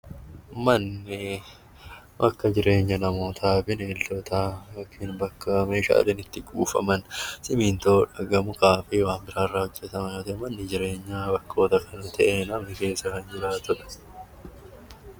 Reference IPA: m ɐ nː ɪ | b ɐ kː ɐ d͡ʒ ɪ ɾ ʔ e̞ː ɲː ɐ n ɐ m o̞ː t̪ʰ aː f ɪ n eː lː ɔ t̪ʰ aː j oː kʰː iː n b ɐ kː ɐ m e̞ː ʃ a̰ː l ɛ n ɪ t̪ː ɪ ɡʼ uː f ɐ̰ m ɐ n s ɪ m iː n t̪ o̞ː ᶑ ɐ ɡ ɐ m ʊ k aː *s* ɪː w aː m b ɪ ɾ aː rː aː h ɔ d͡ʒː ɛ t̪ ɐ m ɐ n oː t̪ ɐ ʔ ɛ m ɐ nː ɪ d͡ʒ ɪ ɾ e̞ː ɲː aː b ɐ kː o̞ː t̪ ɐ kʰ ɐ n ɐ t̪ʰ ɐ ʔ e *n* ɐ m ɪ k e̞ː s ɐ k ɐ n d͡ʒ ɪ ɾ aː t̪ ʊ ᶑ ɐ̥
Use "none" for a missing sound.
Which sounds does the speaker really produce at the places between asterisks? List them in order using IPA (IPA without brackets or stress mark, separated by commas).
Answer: f, n